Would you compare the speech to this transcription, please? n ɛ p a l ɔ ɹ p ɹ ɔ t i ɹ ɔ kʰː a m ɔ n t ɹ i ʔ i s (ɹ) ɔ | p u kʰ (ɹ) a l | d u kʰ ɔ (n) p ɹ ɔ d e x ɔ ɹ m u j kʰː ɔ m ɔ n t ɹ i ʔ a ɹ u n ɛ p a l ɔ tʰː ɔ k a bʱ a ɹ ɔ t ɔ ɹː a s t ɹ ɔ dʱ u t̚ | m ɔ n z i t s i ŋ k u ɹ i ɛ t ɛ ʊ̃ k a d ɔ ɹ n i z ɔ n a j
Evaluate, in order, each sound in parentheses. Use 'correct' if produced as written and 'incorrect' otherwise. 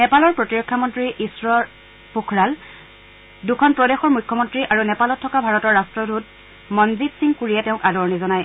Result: correct, correct, correct

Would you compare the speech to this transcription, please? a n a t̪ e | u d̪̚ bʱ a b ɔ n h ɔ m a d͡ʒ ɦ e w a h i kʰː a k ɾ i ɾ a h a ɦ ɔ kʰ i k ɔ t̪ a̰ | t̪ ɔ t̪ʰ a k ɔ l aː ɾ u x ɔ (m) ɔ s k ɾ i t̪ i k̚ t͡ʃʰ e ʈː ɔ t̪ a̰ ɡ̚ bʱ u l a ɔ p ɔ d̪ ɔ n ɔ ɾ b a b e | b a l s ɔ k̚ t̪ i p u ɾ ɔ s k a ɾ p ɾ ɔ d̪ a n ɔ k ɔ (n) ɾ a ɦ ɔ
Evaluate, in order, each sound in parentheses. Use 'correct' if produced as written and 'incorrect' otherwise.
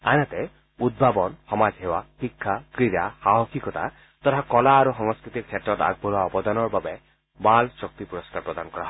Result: incorrect: ŋ, incorrect: none

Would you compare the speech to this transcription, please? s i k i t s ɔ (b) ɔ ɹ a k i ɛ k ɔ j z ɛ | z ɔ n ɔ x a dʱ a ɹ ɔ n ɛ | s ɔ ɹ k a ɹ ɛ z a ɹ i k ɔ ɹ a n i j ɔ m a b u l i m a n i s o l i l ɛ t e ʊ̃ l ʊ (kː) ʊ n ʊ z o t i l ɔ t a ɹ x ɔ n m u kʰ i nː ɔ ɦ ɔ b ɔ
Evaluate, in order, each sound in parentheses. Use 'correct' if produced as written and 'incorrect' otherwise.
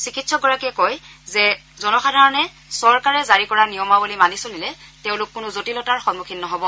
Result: incorrect: ɡ, correct

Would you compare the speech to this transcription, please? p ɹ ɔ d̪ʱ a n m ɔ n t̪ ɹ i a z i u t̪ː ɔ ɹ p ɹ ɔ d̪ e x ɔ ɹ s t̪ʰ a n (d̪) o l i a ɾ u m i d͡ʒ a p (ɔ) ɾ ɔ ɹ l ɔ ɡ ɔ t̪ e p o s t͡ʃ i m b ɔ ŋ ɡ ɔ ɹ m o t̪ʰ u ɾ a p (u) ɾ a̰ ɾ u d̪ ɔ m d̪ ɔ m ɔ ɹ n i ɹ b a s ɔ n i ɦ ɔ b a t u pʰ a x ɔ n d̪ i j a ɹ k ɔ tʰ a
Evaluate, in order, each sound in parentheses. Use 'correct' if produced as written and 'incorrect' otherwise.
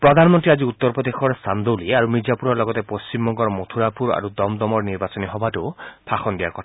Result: correct, incorrect: u, correct

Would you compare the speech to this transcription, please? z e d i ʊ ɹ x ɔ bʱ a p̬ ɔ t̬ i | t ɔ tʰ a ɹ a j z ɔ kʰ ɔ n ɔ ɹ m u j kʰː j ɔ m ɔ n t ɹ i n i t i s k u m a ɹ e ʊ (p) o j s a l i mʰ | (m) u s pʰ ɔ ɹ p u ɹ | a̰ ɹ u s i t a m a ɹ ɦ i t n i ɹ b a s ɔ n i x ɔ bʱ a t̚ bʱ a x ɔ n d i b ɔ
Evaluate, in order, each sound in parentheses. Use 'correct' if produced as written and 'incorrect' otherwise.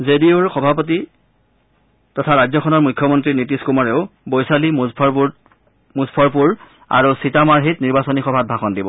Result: incorrect: b, correct

